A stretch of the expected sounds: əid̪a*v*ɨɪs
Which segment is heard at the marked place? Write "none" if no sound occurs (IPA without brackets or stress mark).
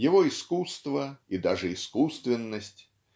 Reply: ʐ